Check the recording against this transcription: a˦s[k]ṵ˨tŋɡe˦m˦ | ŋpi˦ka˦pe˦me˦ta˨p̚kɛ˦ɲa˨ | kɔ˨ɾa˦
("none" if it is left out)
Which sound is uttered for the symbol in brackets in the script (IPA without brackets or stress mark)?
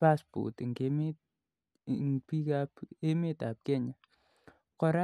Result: p